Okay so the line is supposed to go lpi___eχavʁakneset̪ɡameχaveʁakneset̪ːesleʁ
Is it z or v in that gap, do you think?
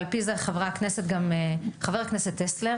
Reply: z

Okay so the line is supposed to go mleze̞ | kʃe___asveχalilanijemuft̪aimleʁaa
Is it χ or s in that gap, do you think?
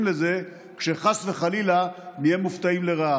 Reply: χ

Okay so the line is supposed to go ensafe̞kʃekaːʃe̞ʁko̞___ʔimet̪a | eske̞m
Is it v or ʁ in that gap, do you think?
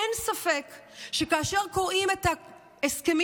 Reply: ʁ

